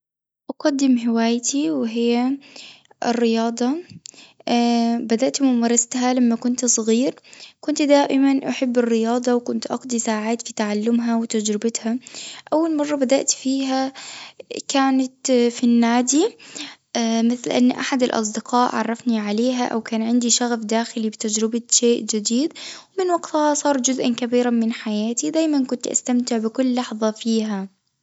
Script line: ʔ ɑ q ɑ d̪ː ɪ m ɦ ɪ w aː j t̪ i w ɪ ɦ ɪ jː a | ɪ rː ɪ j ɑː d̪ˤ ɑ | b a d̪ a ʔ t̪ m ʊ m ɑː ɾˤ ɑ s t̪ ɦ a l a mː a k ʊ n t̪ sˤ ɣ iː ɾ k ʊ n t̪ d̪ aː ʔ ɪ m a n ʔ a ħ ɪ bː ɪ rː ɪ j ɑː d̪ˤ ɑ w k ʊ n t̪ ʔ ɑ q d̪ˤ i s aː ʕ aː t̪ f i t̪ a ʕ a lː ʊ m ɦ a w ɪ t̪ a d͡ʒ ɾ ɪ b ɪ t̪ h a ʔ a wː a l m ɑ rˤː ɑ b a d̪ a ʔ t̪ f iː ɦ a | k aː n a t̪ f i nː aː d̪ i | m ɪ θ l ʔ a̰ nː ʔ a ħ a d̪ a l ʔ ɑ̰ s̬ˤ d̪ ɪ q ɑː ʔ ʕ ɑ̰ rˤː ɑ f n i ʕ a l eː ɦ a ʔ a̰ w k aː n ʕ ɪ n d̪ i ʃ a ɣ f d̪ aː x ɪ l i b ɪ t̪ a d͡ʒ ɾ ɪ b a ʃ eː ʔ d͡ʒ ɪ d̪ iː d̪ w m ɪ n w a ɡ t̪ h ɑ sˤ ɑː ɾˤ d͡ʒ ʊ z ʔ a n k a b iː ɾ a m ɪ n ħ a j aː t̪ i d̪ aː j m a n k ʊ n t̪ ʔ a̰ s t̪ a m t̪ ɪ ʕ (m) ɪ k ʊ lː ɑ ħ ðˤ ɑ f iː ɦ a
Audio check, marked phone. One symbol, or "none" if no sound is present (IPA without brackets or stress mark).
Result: b